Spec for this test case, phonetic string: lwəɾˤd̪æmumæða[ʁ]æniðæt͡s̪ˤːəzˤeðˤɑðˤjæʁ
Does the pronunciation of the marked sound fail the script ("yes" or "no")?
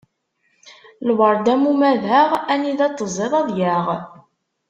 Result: no